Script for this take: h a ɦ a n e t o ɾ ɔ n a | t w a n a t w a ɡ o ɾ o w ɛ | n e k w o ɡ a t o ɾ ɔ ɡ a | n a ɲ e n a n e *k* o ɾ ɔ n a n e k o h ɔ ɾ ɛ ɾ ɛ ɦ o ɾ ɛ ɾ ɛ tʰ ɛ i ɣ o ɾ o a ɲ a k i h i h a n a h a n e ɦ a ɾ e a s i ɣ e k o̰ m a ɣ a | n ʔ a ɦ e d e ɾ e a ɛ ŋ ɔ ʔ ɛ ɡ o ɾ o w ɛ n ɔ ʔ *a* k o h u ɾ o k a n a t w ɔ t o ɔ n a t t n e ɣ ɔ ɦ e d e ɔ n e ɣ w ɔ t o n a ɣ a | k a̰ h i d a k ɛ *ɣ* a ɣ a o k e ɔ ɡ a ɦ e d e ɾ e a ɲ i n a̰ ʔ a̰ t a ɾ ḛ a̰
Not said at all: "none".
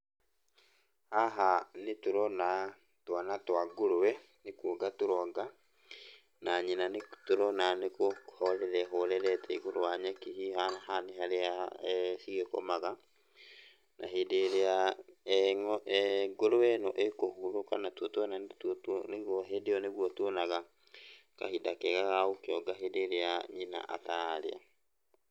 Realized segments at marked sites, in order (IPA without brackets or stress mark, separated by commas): t, e, ɣ